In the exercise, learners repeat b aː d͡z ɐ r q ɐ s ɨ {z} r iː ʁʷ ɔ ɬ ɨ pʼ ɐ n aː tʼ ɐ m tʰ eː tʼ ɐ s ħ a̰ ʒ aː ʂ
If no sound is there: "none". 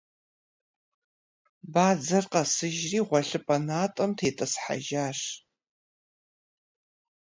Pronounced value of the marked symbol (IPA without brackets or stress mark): ʒ